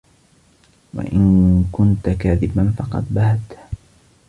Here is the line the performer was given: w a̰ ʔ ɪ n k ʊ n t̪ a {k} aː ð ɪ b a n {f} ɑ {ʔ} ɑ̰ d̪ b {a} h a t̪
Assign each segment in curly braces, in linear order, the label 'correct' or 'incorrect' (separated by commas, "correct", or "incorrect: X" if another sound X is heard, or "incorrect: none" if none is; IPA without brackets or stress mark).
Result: correct, correct, incorrect: q, correct